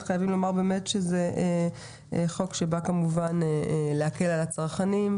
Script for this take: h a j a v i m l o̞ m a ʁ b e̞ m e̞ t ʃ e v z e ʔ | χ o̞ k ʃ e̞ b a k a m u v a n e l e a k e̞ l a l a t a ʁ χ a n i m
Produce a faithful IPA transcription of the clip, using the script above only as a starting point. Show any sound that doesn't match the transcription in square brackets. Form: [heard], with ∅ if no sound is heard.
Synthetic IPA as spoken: [χ] a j a v i m l o̞ m a ʁ b e̞ m e̞ t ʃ e [∅] z e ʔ | χ o̞ k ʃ e̞ b a k a m u v a n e l e a k e̞ l a l a [t͡s] a ʁ χ a n i m